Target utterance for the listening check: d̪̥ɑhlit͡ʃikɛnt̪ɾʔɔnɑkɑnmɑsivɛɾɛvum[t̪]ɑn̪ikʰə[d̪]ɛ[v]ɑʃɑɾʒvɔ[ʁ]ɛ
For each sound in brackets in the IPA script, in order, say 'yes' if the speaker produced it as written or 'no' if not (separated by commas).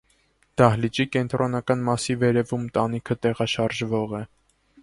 yes, no, no, yes